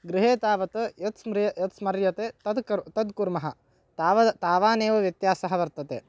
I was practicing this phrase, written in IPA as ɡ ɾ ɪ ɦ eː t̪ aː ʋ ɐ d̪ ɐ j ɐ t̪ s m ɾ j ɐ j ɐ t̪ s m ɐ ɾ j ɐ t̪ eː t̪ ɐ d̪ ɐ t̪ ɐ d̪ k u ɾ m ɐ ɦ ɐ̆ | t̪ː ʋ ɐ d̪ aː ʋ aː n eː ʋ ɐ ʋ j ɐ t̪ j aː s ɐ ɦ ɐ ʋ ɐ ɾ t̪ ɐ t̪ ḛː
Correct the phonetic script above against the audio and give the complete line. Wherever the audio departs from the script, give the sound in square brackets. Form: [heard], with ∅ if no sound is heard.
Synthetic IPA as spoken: ɡ ɾ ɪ ɦ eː t̪ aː ʋ ɐ [t̪] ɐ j ɐ t̪ s m ɾ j ɐ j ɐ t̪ s m ɐ ɾ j ɐ t̪ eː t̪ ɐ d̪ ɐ t̪ ɐ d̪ k u ɾ m ɐ ɦ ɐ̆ | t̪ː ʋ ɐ [t̪] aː ʋ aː n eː ʋ ɐ ʋ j ɐ t̪ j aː s ɐ ɦ ɐ ʋ ɐ ɾ t̪ ɐ t̪ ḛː